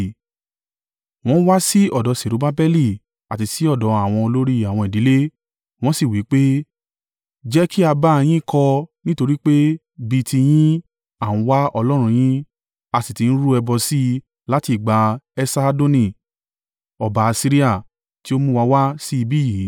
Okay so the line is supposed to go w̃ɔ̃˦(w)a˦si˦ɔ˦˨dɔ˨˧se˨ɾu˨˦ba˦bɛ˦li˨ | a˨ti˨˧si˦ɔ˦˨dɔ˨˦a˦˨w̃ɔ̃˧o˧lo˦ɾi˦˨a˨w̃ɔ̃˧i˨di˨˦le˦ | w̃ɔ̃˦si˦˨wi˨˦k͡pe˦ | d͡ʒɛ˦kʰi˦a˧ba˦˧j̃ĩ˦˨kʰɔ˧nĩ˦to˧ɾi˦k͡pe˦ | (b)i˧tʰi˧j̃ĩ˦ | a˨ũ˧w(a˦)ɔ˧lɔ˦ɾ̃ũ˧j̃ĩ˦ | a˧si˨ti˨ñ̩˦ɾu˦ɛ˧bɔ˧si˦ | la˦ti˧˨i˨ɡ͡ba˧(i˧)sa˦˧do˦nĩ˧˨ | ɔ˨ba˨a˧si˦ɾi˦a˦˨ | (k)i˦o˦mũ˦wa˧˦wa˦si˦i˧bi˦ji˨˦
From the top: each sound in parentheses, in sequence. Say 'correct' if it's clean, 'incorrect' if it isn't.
correct, correct, correct, incorrect: ɛ˧, incorrect: t

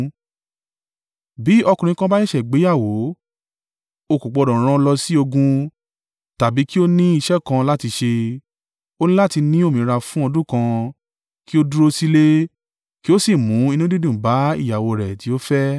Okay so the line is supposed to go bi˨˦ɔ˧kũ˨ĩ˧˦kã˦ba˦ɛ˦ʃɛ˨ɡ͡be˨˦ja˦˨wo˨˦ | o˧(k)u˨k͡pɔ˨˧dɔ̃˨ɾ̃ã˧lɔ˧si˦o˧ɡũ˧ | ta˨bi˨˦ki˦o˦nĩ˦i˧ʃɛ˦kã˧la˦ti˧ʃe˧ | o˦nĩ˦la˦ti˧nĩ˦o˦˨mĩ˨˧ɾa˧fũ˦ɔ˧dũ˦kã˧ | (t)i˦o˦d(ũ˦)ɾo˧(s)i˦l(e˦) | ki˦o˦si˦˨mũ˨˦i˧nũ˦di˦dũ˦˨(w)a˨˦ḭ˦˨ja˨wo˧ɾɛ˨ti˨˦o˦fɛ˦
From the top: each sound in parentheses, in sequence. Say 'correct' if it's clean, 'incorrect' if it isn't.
correct, incorrect: k, incorrect: u˦, correct, correct, incorrect: b

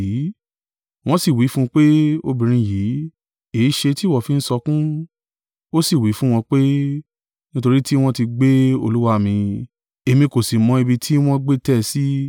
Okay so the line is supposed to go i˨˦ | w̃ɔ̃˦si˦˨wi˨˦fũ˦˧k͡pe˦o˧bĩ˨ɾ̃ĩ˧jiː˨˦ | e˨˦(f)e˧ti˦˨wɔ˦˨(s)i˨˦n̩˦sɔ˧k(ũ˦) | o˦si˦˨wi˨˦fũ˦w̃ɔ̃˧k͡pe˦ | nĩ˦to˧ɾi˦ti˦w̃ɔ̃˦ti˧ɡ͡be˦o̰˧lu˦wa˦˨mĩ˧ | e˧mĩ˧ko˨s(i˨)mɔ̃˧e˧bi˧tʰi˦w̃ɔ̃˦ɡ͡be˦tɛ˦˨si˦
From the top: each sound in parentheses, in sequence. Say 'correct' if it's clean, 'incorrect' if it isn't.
incorrect: ʃ, incorrect: f, correct, correct

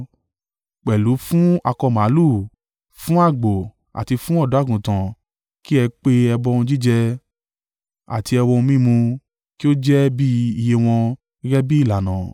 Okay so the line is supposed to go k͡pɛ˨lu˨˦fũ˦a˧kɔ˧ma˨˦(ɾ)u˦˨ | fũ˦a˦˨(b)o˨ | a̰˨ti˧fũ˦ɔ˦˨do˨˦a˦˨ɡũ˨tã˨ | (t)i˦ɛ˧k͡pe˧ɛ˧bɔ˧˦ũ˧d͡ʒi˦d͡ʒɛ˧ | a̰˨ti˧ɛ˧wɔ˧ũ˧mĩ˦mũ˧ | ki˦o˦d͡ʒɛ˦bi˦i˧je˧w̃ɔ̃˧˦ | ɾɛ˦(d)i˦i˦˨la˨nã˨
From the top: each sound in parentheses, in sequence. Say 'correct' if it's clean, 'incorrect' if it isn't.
incorrect: l, incorrect: ɡ͡b, incorrect: k, incorrect: b

